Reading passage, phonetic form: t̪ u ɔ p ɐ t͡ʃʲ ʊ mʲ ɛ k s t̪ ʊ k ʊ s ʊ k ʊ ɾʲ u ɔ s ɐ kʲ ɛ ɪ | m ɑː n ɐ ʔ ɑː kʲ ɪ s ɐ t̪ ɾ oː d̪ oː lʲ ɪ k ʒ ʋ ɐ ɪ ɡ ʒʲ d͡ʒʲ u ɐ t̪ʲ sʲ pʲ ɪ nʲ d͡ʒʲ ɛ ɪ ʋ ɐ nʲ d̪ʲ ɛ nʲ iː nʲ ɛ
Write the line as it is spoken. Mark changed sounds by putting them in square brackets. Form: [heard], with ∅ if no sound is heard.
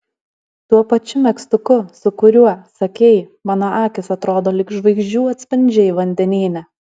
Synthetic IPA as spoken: t̪ u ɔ p ɐ t͡ʃʲ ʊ mʲ ɛ k s t̪ ʊ k ʊ s ʊ k ʊ ɾʲ u ɔ s ɐ kʲ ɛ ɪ | m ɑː n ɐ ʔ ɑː kʲ ɪ s ɐ t̪ ɾ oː d̪ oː lʲ ɪ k ʒ ʋ ɐ ɪ ɡ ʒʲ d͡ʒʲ [uː] ɐ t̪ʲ sʲ pʲ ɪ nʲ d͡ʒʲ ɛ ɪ ʋ ɐ nʲ d̪ʲ ɛ nʲ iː nʲ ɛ